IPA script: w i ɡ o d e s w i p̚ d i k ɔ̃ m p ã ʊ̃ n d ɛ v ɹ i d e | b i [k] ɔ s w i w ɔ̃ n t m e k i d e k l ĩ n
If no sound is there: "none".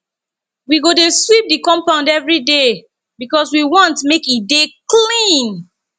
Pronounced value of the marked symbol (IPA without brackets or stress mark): k